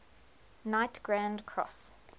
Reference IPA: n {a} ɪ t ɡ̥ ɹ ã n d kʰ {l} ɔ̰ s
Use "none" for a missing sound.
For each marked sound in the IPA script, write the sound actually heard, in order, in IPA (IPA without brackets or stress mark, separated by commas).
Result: a, ɹ